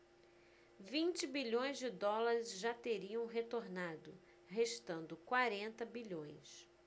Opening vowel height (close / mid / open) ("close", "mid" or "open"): close